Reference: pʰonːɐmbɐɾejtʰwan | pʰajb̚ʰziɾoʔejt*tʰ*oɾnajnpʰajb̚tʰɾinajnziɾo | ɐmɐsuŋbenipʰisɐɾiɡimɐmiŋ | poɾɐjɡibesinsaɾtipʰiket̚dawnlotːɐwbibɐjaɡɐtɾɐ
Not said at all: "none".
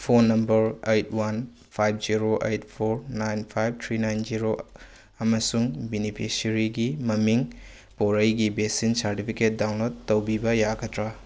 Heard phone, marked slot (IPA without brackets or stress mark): pʰ